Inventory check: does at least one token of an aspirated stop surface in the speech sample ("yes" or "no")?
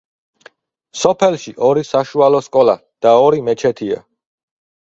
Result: yes